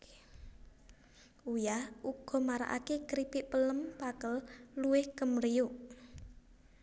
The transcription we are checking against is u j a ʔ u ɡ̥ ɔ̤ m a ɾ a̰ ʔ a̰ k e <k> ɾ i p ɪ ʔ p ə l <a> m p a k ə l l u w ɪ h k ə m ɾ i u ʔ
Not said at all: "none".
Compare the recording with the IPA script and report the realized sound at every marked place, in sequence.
k, ə

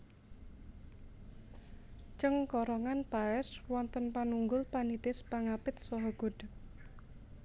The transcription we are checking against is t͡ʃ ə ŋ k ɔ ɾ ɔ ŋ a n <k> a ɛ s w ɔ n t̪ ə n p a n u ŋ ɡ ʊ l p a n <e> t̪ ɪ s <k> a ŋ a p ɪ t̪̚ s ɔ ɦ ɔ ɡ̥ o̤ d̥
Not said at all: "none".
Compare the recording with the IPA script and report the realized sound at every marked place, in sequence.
p, i, p

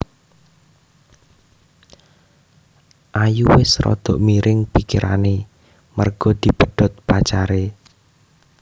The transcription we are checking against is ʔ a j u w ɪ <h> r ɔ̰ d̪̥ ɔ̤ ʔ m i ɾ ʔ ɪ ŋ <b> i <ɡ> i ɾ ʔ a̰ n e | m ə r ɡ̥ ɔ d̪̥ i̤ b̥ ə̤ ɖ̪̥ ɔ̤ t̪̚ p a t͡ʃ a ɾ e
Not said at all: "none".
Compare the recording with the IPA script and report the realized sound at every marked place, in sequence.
s, p, k

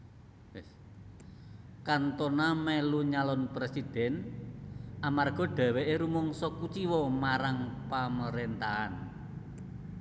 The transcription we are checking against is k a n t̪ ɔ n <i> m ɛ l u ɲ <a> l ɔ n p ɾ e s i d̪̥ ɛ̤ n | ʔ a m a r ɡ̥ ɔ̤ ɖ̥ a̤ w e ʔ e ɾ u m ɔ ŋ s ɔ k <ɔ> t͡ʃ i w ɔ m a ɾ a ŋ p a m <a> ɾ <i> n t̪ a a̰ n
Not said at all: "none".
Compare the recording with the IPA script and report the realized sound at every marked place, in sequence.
a, a, u, ə, e

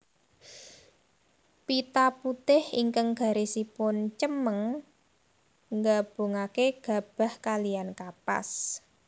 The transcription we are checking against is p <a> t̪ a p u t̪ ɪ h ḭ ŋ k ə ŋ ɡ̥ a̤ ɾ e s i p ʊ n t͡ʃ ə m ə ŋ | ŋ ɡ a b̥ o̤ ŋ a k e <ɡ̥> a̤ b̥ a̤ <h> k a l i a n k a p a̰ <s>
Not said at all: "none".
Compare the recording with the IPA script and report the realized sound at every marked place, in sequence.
i, ɡ̥, h, s

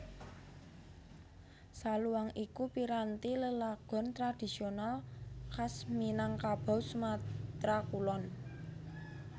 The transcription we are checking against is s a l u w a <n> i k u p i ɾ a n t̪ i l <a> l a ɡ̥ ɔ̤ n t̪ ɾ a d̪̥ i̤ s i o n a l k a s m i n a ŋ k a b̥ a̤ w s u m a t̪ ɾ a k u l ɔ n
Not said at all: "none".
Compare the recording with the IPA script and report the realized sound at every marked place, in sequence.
ŋ, ə

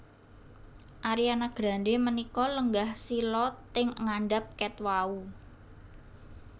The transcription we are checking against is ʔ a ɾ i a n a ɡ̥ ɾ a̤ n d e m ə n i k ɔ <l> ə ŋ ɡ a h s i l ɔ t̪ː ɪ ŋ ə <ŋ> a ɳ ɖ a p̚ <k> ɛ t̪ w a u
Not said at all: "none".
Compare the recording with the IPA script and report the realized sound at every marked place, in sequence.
l, ŋ, k

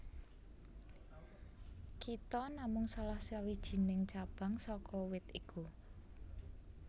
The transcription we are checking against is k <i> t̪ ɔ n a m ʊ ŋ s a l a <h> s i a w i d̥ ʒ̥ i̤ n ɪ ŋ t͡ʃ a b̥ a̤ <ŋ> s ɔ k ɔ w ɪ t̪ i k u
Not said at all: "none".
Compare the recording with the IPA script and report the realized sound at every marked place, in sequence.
i, h, ŋ

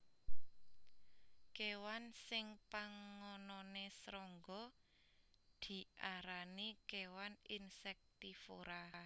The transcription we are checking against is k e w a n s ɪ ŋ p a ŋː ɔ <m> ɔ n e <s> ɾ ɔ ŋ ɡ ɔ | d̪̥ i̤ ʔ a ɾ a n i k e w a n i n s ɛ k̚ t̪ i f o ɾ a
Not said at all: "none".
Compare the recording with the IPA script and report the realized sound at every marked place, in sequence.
n, s

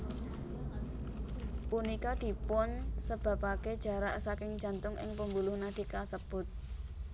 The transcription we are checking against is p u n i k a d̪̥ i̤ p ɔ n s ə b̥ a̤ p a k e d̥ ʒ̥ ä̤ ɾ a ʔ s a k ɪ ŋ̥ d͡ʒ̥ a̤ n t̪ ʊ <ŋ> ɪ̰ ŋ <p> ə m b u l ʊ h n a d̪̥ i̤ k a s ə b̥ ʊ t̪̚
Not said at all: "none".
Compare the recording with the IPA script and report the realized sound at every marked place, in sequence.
ŋ, p

